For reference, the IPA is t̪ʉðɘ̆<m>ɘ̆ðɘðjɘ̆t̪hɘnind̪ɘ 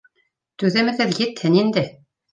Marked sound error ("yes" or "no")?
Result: no